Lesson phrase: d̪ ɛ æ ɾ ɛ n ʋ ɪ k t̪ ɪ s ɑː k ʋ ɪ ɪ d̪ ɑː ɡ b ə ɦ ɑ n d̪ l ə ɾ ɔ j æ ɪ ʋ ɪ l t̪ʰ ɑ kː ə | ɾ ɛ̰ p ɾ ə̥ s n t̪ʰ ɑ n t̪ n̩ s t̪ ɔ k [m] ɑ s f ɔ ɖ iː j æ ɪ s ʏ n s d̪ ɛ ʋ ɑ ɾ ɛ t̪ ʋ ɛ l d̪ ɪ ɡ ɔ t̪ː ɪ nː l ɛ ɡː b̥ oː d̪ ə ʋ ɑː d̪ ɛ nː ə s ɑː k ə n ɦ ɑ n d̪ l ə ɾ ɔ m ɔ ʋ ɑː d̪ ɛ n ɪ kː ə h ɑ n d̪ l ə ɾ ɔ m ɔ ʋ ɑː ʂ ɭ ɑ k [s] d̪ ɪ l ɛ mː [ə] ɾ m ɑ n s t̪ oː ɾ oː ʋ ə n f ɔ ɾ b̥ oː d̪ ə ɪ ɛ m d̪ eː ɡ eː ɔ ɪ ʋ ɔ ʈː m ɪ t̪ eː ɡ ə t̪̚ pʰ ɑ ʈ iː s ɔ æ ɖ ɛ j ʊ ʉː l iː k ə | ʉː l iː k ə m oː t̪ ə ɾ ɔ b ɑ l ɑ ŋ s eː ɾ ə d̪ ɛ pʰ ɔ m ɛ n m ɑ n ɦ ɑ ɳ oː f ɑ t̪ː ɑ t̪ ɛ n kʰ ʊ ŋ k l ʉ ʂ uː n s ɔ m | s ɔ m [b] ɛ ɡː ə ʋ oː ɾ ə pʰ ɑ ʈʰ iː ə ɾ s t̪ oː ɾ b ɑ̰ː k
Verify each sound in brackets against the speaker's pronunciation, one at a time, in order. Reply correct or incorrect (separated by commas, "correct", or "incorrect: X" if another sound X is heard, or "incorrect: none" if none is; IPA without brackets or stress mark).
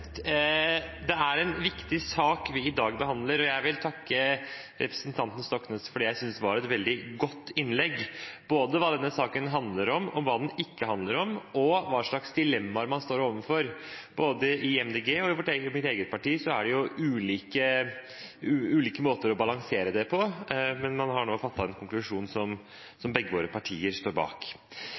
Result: incorrect: n, correct, incorrect: ɑ, correct